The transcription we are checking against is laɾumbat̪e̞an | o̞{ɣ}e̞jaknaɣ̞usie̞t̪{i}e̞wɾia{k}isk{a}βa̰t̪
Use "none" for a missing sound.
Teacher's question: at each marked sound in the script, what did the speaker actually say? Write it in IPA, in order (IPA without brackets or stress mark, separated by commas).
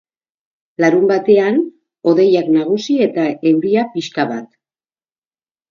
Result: ð, a, p, a